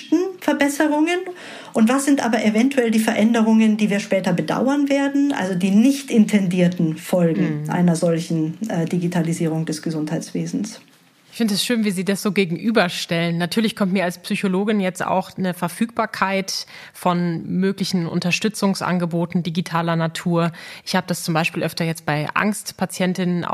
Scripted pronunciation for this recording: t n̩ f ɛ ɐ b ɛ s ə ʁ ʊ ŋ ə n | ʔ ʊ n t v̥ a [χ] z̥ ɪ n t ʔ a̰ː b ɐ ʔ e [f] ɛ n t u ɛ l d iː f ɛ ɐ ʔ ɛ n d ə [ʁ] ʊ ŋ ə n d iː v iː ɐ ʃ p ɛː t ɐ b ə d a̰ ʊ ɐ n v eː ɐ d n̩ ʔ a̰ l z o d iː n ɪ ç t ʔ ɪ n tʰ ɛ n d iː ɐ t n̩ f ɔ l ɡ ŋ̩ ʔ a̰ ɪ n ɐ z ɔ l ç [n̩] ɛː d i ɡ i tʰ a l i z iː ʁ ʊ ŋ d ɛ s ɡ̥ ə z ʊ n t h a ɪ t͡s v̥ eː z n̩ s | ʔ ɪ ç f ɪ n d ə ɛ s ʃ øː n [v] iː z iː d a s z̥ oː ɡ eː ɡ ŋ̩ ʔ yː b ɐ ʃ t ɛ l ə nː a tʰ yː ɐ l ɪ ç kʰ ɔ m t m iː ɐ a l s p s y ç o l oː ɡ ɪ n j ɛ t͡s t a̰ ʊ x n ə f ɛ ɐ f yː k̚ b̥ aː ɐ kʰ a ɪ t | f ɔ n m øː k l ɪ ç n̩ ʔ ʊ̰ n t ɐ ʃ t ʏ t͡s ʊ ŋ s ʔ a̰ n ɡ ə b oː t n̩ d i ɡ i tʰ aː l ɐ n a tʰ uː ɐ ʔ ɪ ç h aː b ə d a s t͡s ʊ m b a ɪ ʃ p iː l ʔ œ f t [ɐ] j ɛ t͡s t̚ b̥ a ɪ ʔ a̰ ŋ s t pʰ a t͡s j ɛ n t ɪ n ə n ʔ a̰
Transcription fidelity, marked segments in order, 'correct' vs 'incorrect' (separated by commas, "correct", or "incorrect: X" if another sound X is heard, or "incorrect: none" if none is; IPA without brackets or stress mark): incorrect: s, incorrect: v, correct, correct, correct, correct